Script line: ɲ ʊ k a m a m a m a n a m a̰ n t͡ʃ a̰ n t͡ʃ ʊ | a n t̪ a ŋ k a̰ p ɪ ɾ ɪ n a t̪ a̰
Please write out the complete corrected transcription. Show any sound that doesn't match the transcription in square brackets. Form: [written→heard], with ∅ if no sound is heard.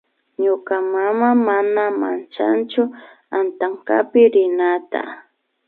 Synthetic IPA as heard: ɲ ʊ k a m a m a m a n a m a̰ n t͡ʃ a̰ n t͡ʃ ʊ | a n t̪ a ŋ k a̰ p ɪ ɾ ɪ n a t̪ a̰

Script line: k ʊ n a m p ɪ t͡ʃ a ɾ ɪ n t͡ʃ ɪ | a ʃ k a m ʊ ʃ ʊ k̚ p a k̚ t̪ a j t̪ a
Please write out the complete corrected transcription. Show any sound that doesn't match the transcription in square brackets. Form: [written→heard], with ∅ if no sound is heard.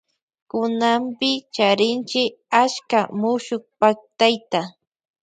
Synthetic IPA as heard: k ʊ n a m p ɪ t͡ʃ a ɾ ɪ n t͡ʃ ɪ | a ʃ k a m ʊ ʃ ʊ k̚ p a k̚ t̪ a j t̪ a

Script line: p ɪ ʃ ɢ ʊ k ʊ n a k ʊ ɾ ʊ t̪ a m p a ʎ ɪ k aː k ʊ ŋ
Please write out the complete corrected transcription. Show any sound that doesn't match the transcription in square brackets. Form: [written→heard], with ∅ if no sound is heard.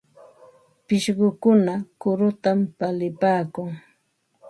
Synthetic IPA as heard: p ɪ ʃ ɢ ʊ k ʊ n a k ʊ ɾ ʊ t̪ a m p a [ʎ→l] ɪ [k→p] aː k ʊ ŋ

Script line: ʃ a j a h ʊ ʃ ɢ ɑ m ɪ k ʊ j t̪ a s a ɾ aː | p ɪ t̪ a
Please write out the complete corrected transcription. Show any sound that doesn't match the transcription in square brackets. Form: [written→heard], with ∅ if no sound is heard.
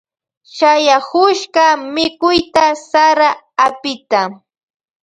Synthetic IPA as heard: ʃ a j a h ʊ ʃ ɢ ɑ m ɪ k ʊ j t̪ a s a ɾ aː | p ɪ t̪ a

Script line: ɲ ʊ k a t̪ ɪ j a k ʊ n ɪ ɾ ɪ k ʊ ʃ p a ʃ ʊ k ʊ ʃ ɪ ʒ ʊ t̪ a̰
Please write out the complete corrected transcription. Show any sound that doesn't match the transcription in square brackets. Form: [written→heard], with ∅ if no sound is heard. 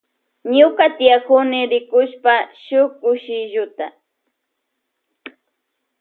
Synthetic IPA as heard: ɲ ʊ k a t̪ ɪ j a k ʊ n ɪ ɾ ɪ k ʊ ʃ p a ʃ ʊ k ʊ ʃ ɪ ʒ ʊ t̪ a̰

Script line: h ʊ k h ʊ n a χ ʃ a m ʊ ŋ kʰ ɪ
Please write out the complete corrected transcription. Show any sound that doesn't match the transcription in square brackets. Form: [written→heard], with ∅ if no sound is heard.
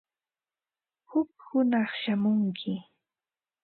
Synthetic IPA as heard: h ʊ k h ʊ n [a→ɑ] χ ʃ a m ʊ ŋ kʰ ɪ

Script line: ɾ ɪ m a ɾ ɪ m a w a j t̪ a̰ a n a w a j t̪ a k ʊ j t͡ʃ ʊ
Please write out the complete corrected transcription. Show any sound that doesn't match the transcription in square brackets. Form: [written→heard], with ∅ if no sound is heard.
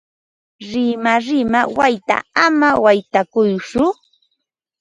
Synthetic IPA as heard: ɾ ɪ m a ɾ ɪ m a w a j t̪ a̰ a [n→m] a w a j t̪ a k ʊ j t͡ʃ ʊ

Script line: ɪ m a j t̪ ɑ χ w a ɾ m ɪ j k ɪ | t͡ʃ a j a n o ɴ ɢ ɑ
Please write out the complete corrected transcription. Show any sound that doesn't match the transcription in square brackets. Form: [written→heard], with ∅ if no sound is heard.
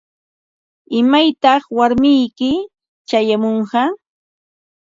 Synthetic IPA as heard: ɪ m a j t̪ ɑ χ w a ɾ m ɪ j k ɪ | t͡ʃ a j a [n→m] o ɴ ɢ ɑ

